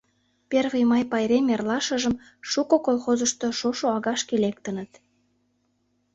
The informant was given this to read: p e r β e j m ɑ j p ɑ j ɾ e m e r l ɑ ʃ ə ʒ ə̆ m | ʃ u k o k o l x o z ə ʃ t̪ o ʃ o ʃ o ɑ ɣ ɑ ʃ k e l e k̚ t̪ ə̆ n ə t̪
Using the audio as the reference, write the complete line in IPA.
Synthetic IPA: p e r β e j m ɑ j p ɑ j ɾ e m e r l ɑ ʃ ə ʒ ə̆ m | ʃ u k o k o l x o z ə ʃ t̪ o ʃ o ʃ o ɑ ɣ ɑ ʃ k e l e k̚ t̪ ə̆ n ə t̪

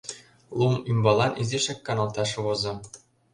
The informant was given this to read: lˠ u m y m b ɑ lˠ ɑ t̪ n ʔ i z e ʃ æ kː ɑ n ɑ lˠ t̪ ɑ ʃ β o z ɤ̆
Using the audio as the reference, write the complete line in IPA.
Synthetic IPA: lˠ u m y m b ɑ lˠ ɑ n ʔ i z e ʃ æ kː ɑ n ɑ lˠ t̪ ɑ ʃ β o z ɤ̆

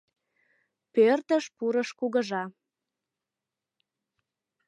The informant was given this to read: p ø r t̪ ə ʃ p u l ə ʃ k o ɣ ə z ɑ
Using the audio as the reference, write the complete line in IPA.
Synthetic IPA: p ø r t̪ ə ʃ p u ɾ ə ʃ k u ɣ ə ʒ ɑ

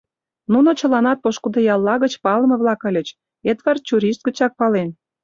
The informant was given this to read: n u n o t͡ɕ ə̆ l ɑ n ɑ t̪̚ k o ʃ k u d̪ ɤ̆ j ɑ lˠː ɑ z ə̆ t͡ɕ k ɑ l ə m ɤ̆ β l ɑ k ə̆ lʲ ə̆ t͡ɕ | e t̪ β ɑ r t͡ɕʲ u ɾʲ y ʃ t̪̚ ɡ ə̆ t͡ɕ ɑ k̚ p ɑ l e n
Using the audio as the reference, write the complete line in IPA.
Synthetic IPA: n u n o t͡ɕ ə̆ l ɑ n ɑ t̪̚ p o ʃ k u d̪ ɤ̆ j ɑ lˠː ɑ ɣ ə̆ t͡ɕ p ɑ l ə m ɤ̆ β l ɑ k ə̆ lʲ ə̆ t͡ɕ | e t̪ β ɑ r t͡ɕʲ u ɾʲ i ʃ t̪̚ ɡ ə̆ t͡ɕ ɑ k̚ p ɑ l e n

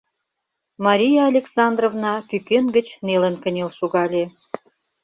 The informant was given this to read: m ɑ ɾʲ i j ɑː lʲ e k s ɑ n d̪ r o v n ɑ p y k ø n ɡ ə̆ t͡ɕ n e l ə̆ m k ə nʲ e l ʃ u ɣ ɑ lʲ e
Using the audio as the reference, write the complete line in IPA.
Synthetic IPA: m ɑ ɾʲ i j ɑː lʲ e k s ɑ n d̪ r o v n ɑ p y k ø n ɡ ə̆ t͡ɕ n e l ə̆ n k ə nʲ e l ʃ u ɣ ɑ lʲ e

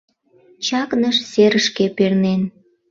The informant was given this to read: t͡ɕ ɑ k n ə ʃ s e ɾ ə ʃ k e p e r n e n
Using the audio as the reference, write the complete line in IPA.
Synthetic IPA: t͡ɕ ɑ k n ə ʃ s e ɾ ə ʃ k e p e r n e n

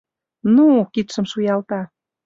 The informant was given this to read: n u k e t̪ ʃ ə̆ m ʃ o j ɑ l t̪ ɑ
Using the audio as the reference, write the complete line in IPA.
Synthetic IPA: n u k i t̪ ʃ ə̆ m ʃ u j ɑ l t̪ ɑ

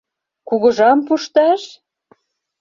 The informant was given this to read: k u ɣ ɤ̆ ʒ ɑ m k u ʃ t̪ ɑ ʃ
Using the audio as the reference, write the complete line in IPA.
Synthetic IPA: k u ɣ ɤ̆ ʒ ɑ m p u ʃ t̪ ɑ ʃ

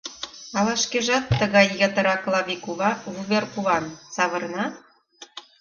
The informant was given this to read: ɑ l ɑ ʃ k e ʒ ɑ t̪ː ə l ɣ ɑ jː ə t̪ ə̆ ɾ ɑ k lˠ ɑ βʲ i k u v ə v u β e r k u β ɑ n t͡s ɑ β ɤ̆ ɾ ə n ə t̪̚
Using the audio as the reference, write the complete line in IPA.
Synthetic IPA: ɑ l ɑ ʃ k e ʒ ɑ t̪ː ə ɣ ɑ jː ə t̪ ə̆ ɾ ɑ k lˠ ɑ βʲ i k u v ɑ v u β e r k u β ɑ n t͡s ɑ β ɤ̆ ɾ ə n ɑ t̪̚

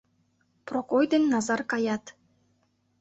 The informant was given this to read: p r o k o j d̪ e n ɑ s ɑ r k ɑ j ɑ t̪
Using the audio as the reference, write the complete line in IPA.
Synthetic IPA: p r o k o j d̪ e nː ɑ z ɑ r k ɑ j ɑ t̪

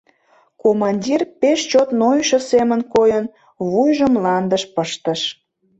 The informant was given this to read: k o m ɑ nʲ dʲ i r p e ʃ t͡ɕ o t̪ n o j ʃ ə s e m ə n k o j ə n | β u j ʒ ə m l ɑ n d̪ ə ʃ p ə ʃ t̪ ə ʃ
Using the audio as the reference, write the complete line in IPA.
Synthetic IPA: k o m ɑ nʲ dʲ i r p e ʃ t͡ɕ o t̪ n o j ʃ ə s e m ə n k o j ə n | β u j ʒ ə m l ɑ n d̪ ə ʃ p ə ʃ t̪ ə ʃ

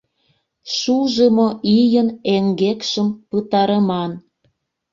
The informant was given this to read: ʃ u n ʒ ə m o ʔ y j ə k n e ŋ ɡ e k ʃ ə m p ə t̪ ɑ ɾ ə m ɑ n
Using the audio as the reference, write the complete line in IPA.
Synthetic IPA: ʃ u ʒ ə m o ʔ i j ə n e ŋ ɡ e k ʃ ə m p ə t̪ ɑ ɾ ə m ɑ n

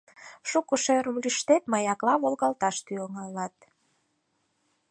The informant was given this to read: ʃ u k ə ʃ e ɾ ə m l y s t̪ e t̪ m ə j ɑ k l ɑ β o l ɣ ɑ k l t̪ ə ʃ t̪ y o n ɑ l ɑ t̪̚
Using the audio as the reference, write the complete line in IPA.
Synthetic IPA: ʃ u k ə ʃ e ɾ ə m l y ʃ t̪ e t̪ m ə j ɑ k l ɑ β o l ɣ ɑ l t̪ ɑ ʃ t̪ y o ŋ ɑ l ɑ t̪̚

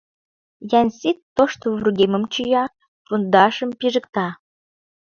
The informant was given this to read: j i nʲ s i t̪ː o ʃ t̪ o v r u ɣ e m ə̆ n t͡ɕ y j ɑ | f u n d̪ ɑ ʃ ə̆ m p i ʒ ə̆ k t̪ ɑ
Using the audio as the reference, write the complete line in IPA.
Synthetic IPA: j æ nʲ s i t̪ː o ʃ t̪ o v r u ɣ e m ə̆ m t͡ɕ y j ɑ | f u n d̪ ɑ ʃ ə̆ m p i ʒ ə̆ k t̪ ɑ

